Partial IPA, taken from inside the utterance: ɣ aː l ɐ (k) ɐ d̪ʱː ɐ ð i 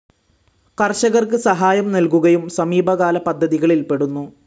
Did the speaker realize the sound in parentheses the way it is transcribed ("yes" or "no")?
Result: no